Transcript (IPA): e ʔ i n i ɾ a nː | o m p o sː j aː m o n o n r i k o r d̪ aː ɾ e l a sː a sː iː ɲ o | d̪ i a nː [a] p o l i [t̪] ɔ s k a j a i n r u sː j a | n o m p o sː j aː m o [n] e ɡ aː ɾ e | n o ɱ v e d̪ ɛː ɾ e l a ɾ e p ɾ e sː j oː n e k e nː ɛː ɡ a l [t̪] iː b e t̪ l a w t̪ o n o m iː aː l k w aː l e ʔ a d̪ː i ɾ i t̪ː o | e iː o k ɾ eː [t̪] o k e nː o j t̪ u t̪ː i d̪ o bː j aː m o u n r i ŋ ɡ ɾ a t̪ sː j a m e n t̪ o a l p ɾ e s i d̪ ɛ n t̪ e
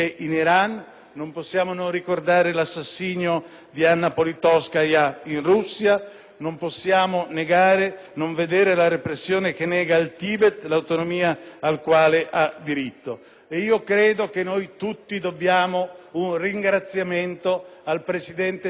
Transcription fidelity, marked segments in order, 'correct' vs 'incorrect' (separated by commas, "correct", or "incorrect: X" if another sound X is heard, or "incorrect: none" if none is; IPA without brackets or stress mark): correct, correct, correct, correct, incorrect: d̪